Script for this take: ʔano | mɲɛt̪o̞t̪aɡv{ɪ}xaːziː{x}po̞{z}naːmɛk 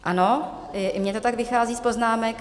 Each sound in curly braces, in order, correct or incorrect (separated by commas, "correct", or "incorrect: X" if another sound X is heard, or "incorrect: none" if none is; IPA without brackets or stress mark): correct, incorrect: s, correct